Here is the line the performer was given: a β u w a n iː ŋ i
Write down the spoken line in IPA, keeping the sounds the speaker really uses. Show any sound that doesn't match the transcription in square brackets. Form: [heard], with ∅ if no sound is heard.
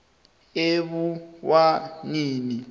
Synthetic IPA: [e] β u w a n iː [n] i